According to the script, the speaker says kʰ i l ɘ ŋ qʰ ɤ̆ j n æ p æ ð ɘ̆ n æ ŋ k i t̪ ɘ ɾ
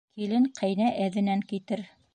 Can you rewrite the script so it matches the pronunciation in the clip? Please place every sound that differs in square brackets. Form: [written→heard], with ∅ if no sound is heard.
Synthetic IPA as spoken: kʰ i l ɘ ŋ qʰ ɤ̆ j n æ [p→ʔ] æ ð ɘ̆ n æ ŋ k i t̪ ɘ ɾ